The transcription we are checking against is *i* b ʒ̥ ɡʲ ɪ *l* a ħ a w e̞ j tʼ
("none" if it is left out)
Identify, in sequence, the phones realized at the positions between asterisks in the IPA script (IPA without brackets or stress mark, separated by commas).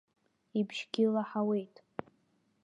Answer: i, l